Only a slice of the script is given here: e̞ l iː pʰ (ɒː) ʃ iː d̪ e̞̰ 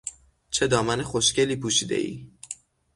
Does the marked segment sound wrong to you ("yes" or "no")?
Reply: yes